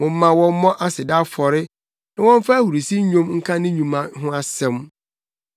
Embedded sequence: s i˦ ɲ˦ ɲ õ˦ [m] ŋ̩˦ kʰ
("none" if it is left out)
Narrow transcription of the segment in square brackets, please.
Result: m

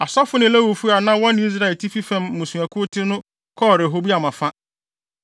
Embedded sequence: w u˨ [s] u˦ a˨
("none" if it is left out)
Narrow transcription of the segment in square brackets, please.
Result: f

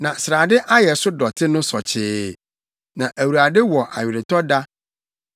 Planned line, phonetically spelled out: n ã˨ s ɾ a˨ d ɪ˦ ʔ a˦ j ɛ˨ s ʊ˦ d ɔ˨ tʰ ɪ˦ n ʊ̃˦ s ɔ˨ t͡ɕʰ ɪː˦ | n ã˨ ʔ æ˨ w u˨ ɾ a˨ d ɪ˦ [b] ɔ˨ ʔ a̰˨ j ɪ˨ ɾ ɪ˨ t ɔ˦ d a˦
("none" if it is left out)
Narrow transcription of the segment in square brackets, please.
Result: w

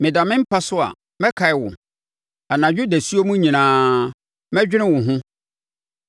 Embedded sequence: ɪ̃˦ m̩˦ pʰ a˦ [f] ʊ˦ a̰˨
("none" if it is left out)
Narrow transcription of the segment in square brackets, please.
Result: s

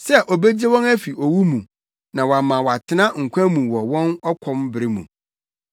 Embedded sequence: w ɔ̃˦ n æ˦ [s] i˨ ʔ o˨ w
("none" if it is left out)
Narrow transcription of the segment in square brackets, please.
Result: f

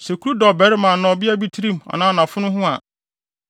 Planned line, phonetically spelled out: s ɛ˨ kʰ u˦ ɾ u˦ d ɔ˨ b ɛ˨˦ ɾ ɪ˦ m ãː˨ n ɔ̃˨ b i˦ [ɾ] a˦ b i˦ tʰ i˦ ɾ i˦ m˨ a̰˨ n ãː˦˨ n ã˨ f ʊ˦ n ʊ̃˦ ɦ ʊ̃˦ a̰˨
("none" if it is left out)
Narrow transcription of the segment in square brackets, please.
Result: none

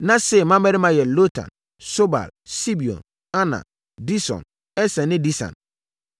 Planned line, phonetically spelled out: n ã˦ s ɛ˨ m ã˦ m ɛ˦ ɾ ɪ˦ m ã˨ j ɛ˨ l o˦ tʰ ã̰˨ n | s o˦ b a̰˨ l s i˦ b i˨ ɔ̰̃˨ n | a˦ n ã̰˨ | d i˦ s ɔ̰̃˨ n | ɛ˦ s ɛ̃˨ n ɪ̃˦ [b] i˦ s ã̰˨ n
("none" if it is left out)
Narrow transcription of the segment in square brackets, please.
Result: d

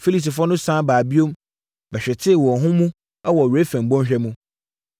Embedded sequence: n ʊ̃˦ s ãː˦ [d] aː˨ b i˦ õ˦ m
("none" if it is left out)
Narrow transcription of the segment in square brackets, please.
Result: b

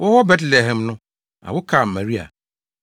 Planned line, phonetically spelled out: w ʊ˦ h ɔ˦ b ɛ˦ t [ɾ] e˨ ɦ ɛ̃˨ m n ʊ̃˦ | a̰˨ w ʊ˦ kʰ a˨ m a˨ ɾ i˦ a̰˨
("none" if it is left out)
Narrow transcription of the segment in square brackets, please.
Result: l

